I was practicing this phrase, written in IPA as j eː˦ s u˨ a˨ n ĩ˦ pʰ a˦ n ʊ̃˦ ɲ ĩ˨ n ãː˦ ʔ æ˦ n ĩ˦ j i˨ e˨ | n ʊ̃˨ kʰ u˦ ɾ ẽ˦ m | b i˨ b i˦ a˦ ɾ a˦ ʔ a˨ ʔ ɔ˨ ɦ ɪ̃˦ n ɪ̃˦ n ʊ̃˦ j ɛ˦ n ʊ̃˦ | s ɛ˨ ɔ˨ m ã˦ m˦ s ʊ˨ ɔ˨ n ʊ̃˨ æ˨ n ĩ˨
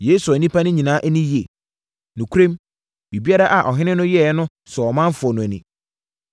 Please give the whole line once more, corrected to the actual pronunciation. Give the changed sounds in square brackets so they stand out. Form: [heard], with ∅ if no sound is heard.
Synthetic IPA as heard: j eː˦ s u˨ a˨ n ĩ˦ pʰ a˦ n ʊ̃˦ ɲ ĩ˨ n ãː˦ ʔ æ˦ n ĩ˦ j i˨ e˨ | n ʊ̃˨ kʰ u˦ ɾ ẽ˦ m | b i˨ b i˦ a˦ ɾ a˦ ʔ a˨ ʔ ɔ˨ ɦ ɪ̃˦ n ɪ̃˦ n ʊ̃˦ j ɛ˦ n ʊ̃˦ | s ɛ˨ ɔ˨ m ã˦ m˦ [f] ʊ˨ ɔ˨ n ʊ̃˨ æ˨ n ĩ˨